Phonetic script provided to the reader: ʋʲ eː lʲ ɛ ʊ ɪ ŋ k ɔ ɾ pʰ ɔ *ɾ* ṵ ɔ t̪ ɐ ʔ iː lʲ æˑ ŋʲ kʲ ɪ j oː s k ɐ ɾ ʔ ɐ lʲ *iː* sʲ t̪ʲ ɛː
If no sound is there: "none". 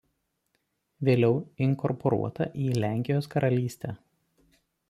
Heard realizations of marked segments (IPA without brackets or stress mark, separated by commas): ɾ, iː